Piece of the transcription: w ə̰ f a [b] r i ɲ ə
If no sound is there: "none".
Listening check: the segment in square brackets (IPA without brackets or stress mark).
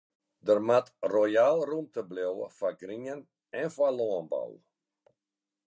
ɡ